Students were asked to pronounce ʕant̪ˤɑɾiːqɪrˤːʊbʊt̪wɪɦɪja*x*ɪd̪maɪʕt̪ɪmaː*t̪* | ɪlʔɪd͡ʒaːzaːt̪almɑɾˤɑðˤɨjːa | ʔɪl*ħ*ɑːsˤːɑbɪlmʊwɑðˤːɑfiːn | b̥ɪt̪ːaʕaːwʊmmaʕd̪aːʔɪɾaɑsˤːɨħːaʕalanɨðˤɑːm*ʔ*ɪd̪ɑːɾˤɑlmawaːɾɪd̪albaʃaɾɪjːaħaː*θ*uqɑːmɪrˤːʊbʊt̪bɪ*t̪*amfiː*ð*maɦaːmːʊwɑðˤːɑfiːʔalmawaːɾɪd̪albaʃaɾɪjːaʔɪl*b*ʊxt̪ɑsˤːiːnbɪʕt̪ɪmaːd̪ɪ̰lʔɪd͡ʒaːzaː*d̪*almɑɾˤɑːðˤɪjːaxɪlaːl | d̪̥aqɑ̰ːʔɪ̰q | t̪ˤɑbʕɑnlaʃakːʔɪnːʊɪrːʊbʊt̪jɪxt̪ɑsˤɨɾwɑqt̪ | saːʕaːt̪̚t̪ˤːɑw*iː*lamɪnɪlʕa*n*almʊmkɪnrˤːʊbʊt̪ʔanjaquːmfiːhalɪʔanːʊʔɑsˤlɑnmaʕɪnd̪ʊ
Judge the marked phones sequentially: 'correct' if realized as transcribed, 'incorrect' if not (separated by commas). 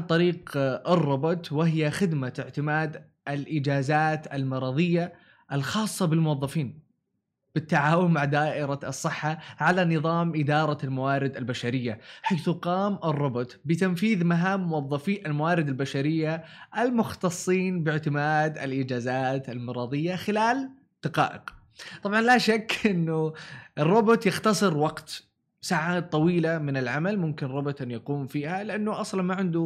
correct, incorrect, incorrect, correct, correct, correct, correct, incorrect, incorrect, correct, incorrect